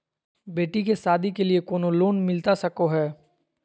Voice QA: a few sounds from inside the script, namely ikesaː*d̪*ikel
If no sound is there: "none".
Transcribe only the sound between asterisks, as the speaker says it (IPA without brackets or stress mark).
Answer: d̪